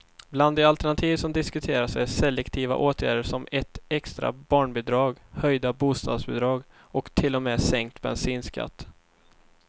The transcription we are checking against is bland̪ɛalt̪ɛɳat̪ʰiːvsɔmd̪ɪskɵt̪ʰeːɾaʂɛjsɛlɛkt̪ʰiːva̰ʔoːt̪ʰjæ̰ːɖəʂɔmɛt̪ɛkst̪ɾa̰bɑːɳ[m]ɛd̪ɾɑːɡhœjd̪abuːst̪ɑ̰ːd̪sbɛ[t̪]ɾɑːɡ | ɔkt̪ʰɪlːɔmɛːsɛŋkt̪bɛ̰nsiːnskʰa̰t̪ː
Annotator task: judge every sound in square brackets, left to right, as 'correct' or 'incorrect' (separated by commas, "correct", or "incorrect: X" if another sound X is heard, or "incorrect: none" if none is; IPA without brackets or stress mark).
incorrect: b, incorrect: d̪